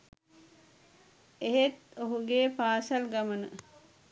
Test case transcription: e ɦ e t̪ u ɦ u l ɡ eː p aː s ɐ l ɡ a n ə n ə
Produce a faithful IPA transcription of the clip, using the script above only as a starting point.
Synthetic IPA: e ɦ e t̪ o ɦ u ɡ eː p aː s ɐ l ɡ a m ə n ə